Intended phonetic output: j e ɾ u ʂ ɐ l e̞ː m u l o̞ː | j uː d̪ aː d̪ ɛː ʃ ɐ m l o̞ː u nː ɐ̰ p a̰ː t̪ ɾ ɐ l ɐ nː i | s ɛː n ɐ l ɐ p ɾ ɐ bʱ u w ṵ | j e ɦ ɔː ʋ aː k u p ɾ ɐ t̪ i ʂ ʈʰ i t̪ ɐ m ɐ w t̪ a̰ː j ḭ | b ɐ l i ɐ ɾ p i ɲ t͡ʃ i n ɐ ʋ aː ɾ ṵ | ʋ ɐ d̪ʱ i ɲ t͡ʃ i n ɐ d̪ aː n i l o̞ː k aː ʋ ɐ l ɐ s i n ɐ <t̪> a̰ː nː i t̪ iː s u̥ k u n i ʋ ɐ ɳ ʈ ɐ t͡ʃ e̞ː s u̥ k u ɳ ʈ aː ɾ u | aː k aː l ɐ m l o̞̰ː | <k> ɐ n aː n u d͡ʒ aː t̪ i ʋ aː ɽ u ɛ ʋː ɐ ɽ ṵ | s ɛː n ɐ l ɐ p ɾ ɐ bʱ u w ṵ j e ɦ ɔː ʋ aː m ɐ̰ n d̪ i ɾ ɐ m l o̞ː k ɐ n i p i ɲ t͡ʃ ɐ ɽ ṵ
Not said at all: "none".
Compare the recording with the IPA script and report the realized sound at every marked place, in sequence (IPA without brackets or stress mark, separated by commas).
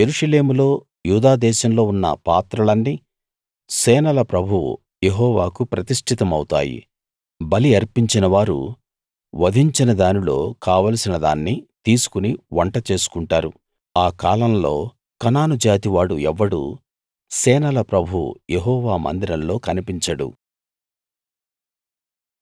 d̪, k